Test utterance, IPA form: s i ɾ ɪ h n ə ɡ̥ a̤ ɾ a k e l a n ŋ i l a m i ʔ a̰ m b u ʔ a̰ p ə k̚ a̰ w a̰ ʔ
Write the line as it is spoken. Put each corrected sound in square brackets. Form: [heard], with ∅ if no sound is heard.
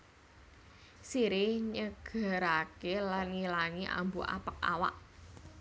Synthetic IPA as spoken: s i ɾ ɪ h [ɲ] ə ɡ̥ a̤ ɾ a k e l a n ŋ i l a [ŋ] i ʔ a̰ m b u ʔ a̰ p ə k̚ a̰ w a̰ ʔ